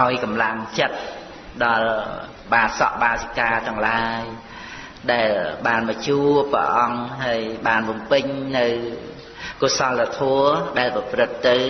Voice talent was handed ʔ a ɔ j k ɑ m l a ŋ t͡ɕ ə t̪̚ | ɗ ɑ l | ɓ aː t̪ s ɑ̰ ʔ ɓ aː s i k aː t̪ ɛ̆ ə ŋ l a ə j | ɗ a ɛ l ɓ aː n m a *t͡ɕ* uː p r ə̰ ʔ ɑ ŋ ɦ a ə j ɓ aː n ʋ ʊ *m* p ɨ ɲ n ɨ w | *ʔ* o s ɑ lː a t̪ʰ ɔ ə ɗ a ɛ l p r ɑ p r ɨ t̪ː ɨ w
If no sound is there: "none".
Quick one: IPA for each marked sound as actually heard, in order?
t͡ɕ, m, k

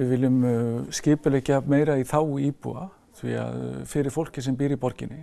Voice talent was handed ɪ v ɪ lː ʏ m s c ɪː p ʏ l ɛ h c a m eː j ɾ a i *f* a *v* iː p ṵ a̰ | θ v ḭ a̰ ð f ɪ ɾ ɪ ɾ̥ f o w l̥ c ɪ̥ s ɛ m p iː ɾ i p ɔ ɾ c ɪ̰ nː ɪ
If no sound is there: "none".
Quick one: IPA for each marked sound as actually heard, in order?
θ, w

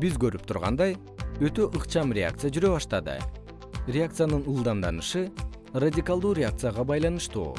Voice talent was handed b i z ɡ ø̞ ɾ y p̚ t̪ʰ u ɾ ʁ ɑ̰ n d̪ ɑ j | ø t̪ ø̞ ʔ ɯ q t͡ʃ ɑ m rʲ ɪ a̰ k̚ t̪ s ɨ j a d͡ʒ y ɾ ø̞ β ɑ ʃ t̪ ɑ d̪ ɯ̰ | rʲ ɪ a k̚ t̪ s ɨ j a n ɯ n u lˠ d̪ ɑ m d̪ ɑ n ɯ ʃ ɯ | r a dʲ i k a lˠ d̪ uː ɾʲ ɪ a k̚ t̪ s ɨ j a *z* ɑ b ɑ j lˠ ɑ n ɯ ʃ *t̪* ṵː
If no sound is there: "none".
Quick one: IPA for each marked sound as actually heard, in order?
ʁ, t̪

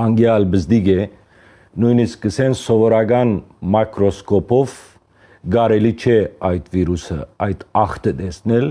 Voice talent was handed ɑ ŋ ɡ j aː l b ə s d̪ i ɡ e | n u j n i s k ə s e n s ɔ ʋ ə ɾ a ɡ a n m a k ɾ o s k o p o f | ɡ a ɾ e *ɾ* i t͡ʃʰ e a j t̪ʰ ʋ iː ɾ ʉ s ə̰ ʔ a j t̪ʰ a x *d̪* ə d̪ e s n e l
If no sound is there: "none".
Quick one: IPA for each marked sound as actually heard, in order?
l, t̪

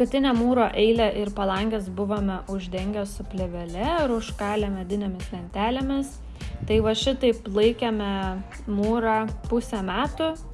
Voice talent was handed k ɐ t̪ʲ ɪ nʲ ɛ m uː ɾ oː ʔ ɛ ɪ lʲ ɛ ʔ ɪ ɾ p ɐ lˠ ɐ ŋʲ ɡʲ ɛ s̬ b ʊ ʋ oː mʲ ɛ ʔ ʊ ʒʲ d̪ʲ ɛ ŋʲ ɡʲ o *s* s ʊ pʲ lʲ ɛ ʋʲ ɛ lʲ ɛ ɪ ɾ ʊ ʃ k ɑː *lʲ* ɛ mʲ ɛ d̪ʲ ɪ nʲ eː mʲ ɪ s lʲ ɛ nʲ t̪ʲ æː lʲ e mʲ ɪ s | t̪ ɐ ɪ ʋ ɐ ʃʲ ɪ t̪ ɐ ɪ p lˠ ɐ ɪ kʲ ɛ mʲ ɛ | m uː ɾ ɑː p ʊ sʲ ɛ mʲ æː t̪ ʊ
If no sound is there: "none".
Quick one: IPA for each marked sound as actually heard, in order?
s, lʲ

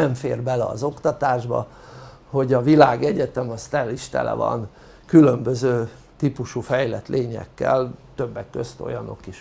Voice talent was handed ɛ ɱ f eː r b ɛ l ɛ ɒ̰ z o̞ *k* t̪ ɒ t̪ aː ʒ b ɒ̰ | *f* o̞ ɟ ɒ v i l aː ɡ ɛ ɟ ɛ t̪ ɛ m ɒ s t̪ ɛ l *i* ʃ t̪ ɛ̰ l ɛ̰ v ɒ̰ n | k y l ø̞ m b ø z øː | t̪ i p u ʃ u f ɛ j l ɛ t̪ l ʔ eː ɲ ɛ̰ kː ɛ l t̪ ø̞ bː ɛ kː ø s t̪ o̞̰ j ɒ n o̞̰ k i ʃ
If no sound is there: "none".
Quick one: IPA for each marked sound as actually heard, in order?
k, h, i

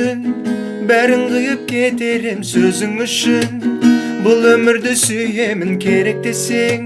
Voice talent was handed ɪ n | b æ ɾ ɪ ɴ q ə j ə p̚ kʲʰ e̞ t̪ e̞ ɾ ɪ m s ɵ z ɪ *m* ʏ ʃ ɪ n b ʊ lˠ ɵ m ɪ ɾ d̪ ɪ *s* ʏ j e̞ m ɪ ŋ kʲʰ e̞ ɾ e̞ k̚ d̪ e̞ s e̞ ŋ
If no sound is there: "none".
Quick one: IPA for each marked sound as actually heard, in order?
ŋ, s

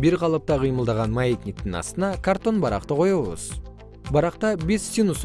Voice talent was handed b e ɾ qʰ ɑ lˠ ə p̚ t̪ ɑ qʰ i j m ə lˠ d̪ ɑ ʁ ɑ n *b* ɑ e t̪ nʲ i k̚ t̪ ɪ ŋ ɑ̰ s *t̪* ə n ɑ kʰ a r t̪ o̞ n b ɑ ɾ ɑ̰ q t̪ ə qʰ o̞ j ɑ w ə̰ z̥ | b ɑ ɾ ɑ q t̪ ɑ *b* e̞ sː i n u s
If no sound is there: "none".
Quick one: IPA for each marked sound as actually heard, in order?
m, t̪, b

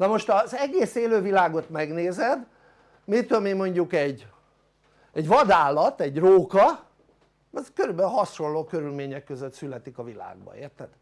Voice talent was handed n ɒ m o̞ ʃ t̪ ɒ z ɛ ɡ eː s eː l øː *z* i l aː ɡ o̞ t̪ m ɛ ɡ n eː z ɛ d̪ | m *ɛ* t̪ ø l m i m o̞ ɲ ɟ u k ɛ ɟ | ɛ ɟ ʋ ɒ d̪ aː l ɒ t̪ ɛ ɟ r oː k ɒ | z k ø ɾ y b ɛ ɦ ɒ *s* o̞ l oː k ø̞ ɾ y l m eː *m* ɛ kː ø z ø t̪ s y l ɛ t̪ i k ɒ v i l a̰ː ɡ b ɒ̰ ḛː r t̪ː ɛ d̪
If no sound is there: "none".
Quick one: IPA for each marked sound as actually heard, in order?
v, i, ʃ, ɲ

